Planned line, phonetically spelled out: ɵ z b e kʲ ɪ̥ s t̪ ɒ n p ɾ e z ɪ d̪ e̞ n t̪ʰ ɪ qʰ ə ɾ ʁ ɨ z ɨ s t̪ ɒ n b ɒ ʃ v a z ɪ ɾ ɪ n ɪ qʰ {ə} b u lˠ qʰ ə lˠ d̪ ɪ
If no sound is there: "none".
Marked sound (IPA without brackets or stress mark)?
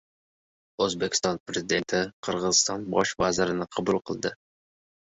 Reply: ɑ